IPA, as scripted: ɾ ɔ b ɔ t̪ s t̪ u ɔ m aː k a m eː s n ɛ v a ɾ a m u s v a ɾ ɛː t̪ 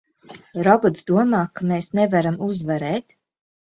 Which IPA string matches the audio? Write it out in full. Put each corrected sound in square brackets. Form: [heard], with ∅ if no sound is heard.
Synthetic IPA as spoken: ɾ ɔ b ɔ t̪ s [d̪] u ɔ m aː k a m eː s n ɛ v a ɾ a m u [z] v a ɾ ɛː t̪